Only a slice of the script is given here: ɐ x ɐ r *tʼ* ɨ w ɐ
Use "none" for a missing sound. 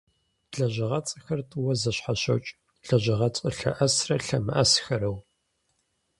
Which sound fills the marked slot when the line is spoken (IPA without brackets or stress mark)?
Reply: tʼ